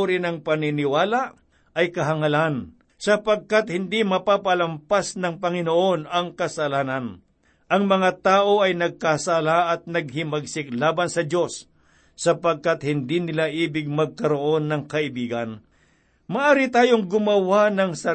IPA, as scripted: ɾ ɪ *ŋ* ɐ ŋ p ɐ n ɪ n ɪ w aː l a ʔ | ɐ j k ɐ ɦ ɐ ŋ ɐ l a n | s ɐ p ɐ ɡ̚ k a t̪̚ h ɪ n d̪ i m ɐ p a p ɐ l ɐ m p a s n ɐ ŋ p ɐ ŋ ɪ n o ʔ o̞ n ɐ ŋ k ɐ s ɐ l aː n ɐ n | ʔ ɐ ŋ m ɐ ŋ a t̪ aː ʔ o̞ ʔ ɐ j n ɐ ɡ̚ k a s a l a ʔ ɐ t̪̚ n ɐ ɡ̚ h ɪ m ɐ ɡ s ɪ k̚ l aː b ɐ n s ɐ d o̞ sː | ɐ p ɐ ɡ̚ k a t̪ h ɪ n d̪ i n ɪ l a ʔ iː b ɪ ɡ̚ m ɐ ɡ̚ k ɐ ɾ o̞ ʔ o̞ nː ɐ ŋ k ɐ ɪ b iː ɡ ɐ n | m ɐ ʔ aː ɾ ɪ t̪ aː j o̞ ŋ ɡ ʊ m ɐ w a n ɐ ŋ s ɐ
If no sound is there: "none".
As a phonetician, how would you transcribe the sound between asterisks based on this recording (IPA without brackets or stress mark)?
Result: n